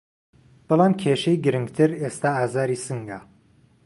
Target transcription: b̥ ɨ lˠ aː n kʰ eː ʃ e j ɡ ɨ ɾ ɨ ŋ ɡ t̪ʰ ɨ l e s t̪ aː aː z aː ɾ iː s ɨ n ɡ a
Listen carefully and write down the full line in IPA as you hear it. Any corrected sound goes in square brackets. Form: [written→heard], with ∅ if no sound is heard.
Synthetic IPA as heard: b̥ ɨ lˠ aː [n→m] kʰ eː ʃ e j ɡ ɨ ɾ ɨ ŋ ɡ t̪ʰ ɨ [l→ɾ] e s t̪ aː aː z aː ɾ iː s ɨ [n→ŋ] ɡ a